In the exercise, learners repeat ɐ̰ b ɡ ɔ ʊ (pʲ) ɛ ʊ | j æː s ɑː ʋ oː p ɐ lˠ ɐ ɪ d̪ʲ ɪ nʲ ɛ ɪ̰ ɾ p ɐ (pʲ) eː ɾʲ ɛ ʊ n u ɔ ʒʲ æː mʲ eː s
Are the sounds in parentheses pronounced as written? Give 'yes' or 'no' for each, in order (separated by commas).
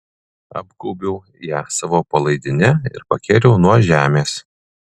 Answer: no, no